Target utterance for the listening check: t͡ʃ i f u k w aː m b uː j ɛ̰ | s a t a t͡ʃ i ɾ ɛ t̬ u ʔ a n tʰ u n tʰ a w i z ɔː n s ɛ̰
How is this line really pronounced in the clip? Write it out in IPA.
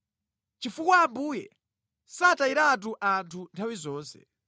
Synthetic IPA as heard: t͡ʃ i f u k w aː m b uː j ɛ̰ | s a t a i ɾ a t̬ u ʔ a n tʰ u n tʰ a w i z ɔː n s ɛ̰

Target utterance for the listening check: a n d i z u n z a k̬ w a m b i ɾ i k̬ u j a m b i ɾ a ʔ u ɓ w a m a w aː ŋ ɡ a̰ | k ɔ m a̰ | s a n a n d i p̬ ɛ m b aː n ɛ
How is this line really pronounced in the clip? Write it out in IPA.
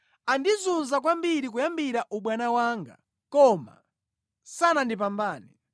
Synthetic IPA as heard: a n d i z u n z a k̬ w a m b i ɾ i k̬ u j a m b i ɾ a ʔ u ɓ w a n a w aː ŋ ɡ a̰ | k ɔ m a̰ | s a n a n d i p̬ a m b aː n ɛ

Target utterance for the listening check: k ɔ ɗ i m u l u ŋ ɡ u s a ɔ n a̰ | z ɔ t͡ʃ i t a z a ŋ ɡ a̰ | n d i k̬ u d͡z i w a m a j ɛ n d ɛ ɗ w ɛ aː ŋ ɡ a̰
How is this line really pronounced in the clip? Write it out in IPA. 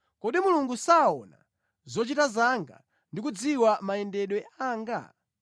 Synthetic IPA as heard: k ɔ ɗ i m u l u ŋ ɡ u s a ɔ n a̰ | z ɔ t͡ʃ i t a z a ŋ ɡ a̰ | n d i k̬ u d͡z i w a m a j ɛ n d ɛ ɗ w ɛ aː ŋ ɡ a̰

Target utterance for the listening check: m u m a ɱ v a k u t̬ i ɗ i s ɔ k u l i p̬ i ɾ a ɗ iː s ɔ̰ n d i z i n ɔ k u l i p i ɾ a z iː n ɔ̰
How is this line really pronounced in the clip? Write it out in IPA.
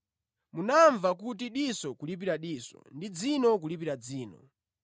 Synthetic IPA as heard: m u n a ɱ v a k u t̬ i ɗ i s ɔ k u l i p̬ i ɾ a ɗ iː s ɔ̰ n d i d͡z i n ɔ k u l i p i ɾ a d͡z iː n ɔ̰

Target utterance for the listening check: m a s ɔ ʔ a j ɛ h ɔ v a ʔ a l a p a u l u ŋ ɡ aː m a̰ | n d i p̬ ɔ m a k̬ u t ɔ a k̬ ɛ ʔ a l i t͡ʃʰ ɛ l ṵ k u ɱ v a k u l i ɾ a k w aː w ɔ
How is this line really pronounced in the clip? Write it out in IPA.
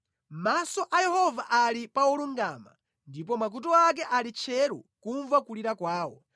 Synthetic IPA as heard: m a s ɔ ʔ a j ɛ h ɔ v a ʔ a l i p a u l u ŋ ɡ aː m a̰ | n d i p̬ ɔ m a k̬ u t ɔ a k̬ ɛ ʔ a l i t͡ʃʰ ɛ ɾ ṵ k u ɱ v a k u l i ɾ a k w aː w ɔ

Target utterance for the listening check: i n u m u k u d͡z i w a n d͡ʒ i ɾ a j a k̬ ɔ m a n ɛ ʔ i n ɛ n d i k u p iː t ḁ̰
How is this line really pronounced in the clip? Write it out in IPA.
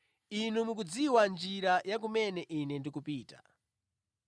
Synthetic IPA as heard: i n u m u k u d͡z i w a n d͡ʒ i ɾ a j a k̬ u m ɛ n ɛ ʔ i n ɛ n d i k u p iː t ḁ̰

